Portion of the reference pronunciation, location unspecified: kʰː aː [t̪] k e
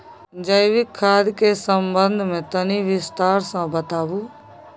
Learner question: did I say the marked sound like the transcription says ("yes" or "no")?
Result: no